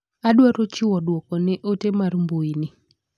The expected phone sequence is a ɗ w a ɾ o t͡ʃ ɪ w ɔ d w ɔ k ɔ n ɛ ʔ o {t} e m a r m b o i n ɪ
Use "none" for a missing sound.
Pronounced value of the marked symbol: t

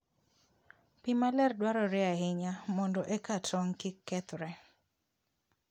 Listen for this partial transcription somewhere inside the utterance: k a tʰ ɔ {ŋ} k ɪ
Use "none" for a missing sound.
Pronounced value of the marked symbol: ŋ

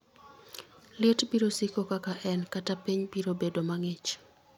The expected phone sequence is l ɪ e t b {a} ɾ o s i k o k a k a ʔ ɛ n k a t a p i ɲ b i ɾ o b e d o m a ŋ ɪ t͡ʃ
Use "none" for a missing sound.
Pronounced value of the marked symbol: i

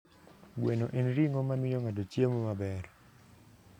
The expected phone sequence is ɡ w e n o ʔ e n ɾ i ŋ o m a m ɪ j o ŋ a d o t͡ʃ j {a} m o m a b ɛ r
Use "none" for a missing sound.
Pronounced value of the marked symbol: e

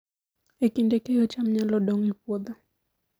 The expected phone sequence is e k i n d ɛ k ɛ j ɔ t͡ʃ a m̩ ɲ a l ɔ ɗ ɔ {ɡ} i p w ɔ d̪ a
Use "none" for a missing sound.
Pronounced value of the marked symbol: ŋ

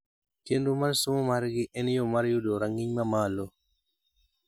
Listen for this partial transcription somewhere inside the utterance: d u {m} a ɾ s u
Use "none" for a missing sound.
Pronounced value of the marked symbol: m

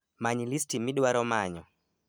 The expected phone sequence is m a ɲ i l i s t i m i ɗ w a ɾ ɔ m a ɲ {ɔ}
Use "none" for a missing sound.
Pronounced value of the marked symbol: ɔ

